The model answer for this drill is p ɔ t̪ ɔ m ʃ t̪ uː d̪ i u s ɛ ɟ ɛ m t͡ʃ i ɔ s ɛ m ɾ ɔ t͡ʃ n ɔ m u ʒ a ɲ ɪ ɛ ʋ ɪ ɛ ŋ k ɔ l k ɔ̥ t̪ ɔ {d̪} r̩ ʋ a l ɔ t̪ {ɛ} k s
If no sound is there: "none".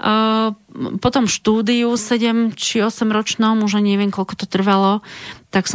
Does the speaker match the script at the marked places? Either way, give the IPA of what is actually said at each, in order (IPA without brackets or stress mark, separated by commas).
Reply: t̪, a